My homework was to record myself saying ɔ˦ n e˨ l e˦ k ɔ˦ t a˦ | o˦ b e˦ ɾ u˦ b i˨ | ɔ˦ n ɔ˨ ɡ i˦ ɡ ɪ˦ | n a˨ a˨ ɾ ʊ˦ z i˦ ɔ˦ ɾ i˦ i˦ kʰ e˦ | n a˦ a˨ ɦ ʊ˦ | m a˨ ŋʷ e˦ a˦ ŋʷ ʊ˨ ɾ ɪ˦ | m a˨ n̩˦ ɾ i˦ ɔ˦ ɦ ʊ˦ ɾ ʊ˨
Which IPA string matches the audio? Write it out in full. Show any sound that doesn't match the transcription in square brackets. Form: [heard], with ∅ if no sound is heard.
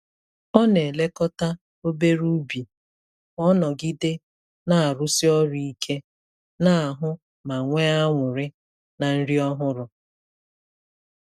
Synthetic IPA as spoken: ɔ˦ n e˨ l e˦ k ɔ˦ t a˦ | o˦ b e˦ ɾ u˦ b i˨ | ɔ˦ n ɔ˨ ɡ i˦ [d] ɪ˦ | n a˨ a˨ ɾ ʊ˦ [s] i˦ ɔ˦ ɾ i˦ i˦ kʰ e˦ | n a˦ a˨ ɦ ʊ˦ | m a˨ ŋʷ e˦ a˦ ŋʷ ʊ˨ ɾ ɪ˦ | [n] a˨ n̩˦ ɾ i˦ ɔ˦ ɦ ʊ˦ ɾ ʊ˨